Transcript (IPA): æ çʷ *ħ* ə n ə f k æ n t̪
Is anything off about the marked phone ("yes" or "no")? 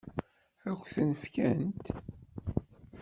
yes